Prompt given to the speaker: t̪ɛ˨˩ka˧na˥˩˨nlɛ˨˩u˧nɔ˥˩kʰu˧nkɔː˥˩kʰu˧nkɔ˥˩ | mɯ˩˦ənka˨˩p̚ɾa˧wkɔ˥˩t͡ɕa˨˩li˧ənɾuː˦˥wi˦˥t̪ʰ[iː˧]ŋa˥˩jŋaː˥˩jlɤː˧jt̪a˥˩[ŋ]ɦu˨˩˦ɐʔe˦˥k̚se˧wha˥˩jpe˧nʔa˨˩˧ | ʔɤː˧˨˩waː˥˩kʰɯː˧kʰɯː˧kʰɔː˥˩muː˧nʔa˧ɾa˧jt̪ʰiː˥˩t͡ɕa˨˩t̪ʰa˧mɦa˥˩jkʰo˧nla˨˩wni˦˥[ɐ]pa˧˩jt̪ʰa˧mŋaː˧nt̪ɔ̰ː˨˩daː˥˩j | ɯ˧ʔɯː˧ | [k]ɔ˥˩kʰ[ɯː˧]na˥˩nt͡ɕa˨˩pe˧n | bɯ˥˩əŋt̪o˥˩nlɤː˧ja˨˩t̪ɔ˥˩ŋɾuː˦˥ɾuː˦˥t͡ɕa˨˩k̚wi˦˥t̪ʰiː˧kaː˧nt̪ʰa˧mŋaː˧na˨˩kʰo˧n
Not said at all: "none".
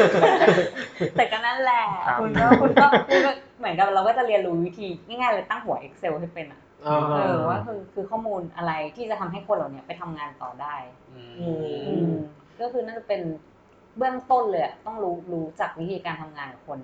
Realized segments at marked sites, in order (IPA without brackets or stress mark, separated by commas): iː˧, ŋ, ɐ, k, ɯː˧